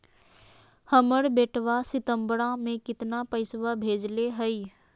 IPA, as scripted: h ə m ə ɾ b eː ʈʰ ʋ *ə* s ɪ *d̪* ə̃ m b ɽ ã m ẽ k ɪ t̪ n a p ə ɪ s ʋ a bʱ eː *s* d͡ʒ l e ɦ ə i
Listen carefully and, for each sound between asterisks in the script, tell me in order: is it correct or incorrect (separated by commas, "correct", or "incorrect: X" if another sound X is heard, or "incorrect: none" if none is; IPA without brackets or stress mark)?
incorrect: a, incorrect: t̪, incorrect: none